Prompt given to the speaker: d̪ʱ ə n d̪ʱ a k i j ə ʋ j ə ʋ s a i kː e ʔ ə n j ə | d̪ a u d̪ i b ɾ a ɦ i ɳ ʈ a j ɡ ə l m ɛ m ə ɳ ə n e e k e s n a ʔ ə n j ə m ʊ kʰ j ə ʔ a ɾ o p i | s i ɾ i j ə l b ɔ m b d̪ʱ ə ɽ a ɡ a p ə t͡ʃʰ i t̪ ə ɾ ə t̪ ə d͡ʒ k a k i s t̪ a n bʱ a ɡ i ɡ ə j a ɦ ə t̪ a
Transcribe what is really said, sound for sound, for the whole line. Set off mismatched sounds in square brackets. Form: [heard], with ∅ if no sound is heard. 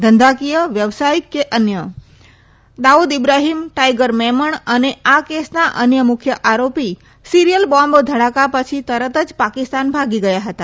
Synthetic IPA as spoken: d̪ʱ ə n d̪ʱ a k i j ə ʋ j ə ʋ s a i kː e ʔ ə n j ə | d̪ a u d̪ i b ɾ a ɦ i [m] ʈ a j ɡ ə [ɾ] m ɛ m ə ɳ ə n e [a] k e s n a ʔ ə n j ə m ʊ kʰ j ə ʔ a ɾ o p i | s i ɾ i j ə l b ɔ m b d̪ʱ ə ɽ a [k] a p ə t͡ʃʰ i t̪ ə ɾ ə t̪ ə d͡ʒ [p] a k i s t̪ a n bʱ a ɡ i ɡ ə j a ɦ ə t̪ a